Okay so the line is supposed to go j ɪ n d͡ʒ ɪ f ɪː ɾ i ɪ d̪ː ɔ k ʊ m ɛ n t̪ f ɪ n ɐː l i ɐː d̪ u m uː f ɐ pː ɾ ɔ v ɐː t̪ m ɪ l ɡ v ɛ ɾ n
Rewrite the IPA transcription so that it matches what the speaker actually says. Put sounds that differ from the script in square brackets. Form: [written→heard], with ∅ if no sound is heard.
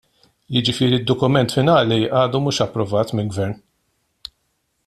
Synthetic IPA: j ɪ [n→∅] d͡ʒ ɪ f ɪː ɾ i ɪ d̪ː ɔ k ʊ m ɛ n t̪ f ɪ n ɐː l i ɐː d̪ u m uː [f→ʃ] ɐ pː ɾ ɔ v ɐː t̪ m ɪ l ɡ v ɛ ɾ n